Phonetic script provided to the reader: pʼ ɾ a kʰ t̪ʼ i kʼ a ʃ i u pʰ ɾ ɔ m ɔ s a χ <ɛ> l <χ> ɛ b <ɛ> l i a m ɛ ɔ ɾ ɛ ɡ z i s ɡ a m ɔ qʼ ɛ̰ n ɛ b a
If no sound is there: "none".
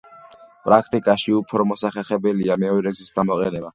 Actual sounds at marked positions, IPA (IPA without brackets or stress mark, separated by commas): ɛ, χ, ɛ